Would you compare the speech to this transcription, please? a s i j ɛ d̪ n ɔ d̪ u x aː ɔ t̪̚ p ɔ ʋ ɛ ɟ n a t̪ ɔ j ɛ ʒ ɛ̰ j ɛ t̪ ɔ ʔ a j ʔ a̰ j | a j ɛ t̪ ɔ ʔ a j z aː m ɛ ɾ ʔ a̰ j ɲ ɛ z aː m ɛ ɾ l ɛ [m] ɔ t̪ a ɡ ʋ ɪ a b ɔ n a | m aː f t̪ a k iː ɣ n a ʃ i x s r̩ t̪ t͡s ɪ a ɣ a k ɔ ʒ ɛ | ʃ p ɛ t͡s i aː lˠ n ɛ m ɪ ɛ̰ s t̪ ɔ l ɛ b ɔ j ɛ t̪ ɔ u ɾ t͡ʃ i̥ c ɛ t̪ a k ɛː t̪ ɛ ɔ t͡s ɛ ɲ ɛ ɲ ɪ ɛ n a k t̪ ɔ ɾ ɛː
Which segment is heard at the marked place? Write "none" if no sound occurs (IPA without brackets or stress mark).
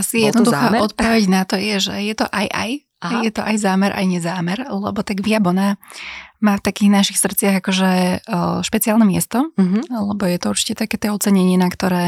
b